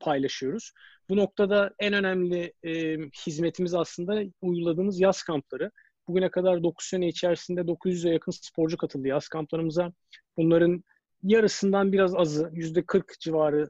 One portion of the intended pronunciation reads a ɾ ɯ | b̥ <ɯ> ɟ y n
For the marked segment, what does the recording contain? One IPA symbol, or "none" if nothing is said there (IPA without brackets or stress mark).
u